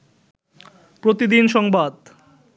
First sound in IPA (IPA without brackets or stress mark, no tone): p